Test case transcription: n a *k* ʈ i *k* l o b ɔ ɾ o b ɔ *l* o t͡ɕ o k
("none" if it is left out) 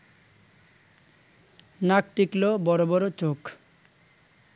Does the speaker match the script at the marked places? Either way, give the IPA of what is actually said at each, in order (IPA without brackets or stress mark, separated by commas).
k, k, ɾ